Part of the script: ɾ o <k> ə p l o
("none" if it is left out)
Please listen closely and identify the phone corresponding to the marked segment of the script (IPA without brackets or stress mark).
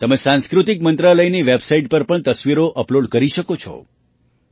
ʔ